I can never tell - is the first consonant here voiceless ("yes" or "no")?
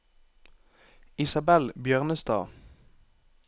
yes